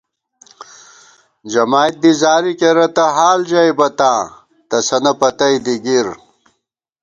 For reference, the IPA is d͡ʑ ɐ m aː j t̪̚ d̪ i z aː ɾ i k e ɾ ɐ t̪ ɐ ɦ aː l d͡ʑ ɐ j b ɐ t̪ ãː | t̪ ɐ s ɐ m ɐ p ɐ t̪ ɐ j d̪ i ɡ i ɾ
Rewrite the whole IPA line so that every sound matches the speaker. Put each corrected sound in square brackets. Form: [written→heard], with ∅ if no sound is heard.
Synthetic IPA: d͡ʑ ɐ m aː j t̪̚ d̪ i z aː ɾ i k e ɾ ɐ t̪ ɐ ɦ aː l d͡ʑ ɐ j b ɐ t̪ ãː | t̪ ɐ s ɐ [m→n] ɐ p ɐ t̪ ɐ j d̪ i ɡ i ɾ